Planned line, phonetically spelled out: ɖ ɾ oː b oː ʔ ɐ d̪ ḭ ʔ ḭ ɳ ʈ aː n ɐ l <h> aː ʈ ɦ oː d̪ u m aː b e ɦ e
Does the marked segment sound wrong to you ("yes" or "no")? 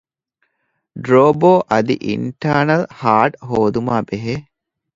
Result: no